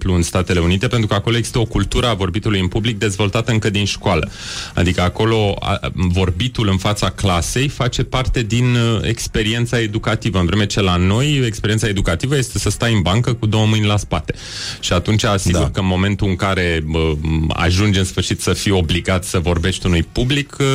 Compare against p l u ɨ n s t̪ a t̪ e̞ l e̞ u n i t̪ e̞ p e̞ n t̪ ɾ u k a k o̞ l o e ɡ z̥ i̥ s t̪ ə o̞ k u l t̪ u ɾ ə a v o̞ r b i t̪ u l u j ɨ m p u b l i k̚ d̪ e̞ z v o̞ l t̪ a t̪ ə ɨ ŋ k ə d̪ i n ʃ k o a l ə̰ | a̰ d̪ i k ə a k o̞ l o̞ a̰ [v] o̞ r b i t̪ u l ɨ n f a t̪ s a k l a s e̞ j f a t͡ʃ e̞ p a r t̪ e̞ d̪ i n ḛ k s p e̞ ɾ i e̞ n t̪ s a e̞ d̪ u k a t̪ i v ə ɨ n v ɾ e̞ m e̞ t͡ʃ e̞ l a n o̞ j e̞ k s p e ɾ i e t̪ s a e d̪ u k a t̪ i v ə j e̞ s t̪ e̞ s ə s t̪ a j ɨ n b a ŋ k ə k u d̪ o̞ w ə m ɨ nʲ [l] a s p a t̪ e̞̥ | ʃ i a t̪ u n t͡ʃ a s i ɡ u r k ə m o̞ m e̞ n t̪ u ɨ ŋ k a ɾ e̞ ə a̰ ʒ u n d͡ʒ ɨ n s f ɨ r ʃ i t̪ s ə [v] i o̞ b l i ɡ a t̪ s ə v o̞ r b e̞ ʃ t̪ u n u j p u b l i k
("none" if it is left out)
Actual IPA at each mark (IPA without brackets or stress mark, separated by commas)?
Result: v, l, f